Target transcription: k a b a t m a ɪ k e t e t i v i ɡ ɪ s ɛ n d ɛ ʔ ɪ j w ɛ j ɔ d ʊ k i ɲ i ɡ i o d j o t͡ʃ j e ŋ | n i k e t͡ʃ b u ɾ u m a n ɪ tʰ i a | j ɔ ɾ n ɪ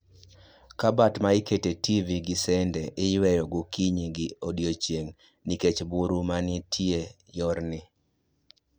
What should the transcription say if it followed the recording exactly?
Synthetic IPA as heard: k a b a t m a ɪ k e t e t i v i ɡ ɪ s ɛ n d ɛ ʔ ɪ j w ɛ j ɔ ɡ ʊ k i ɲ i ɡ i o d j o t͡ʃ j e ŋ | n i k e t͡ʃ b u ɾ u m a n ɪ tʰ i e | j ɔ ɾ n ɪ